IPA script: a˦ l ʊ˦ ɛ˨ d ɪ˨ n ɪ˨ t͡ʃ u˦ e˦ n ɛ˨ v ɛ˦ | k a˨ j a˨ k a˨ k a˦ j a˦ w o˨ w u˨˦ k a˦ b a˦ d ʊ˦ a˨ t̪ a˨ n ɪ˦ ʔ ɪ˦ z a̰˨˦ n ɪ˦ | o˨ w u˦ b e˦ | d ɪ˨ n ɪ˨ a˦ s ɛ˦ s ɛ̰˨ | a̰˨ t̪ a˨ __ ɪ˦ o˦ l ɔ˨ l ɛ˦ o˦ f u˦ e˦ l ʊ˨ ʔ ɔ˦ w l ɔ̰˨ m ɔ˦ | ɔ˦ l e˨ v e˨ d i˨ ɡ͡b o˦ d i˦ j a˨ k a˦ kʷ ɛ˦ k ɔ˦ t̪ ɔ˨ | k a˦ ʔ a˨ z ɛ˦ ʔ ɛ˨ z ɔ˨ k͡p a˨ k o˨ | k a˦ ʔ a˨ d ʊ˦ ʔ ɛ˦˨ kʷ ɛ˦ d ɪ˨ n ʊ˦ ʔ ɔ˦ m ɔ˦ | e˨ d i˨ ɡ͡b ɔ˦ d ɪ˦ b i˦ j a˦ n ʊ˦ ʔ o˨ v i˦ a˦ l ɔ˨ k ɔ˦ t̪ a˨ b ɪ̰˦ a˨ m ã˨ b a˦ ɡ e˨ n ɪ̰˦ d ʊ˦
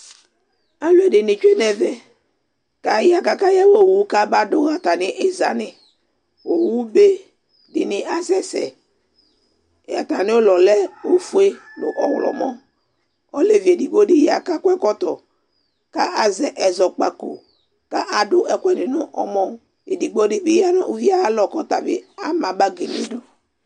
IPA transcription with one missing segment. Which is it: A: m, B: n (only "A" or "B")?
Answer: B